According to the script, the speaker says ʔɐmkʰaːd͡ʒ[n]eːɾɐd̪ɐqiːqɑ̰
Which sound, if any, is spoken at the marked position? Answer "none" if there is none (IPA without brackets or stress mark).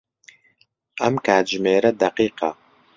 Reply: m